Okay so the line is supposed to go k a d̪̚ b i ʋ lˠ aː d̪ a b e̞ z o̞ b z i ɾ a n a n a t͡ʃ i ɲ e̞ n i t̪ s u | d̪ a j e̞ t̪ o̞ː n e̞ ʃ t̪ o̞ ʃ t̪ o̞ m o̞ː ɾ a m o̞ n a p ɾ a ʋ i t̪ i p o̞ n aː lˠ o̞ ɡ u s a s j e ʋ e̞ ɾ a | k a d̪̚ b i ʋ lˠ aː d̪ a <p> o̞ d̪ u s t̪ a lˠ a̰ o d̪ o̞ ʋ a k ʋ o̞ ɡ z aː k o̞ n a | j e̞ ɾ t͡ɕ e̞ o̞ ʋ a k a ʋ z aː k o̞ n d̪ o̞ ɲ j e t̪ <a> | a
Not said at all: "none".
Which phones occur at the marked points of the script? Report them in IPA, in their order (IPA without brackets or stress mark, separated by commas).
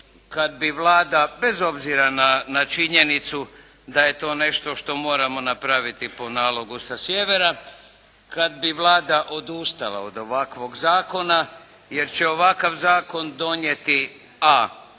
ʔ, i